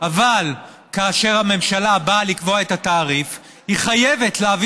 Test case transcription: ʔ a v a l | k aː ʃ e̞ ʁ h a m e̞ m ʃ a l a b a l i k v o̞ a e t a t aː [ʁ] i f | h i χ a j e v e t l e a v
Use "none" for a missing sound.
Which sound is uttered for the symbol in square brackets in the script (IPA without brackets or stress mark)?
ʁ